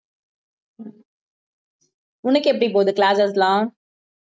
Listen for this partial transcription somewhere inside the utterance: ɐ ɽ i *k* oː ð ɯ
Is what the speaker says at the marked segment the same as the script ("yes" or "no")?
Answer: no